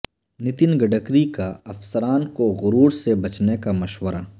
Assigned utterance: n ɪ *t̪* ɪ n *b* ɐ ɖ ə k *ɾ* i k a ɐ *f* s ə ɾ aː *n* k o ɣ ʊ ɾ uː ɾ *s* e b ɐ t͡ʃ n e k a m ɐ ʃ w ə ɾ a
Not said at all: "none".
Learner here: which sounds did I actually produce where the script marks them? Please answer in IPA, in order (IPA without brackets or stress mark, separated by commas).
t̪, ɡ, ɾ, f, n, s